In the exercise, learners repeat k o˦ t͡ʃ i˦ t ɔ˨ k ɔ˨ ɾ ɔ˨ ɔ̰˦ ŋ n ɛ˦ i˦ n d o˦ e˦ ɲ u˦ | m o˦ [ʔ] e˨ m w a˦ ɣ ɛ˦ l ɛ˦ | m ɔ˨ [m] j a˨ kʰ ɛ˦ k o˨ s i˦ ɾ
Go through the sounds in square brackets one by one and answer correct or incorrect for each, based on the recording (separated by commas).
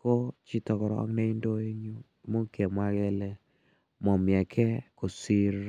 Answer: incorrect, correct